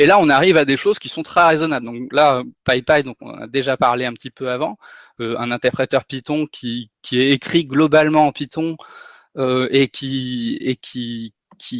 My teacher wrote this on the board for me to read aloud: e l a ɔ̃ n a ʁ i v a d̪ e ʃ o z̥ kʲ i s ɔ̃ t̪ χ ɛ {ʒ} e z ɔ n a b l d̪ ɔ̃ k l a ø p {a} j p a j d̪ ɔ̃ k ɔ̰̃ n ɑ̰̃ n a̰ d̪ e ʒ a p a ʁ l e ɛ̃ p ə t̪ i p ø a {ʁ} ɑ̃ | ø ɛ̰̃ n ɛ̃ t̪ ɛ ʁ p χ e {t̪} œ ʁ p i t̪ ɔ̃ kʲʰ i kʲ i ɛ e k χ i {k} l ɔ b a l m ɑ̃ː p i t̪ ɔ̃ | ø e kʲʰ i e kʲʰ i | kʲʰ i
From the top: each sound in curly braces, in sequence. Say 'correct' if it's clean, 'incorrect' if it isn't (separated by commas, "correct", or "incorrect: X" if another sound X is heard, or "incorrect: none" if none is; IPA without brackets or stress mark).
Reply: incorrect: ʁ, correct, incorrect: v, correct, incorrect: ɡ